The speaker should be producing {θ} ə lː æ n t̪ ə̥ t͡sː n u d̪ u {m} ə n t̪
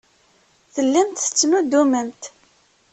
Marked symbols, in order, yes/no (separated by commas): yes, yes